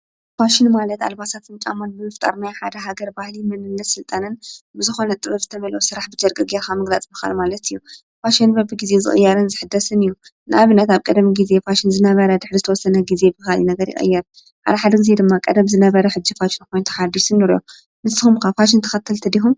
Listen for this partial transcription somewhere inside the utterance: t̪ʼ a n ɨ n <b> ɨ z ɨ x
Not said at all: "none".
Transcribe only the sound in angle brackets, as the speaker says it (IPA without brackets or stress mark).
b